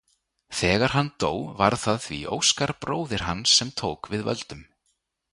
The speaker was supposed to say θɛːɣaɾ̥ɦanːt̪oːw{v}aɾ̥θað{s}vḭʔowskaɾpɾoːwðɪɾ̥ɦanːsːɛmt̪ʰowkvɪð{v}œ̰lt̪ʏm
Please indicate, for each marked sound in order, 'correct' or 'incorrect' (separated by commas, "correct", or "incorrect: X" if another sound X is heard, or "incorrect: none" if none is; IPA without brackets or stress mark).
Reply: correct, incorrect: θ, correct